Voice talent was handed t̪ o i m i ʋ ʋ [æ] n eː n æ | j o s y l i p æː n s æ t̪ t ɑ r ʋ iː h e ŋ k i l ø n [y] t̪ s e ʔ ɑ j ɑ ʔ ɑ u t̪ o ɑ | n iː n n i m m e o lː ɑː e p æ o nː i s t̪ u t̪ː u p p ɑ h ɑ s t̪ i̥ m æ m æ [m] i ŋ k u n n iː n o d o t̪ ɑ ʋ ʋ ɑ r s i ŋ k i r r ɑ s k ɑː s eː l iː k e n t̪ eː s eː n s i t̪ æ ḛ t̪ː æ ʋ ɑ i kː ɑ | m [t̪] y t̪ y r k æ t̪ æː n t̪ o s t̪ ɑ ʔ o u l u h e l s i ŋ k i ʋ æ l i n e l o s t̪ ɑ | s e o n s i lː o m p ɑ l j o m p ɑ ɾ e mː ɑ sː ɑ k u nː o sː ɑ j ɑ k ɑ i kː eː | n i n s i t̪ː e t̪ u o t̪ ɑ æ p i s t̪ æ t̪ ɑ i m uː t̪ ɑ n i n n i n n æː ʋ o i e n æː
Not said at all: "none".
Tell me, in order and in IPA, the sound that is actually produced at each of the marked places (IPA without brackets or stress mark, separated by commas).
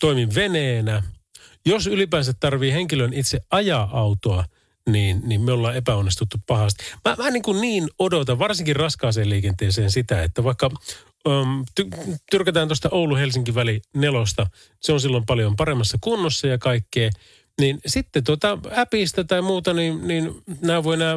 e, i, n, t̪